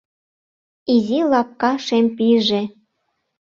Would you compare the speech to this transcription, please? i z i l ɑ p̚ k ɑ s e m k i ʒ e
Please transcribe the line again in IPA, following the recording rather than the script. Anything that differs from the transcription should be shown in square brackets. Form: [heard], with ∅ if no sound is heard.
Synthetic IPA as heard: i z i l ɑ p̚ k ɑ [ʃ] e m [p] i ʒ e